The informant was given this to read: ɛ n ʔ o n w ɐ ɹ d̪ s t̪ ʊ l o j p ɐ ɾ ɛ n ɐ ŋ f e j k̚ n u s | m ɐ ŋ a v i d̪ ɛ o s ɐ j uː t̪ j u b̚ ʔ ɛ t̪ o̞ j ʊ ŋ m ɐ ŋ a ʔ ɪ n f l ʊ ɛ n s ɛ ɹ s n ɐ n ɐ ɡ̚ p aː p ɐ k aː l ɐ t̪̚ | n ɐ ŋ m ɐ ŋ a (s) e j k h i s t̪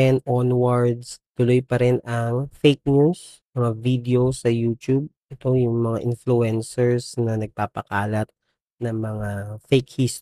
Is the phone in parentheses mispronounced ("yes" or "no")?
yes